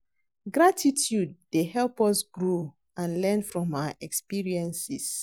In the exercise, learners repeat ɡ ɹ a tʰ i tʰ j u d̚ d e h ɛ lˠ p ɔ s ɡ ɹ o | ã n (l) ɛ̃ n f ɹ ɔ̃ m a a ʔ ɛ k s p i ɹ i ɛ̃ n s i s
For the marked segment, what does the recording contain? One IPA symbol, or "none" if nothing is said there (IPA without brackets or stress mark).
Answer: l